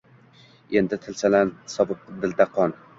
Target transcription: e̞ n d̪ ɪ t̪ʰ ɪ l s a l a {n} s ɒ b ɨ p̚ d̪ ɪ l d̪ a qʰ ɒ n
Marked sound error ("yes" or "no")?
no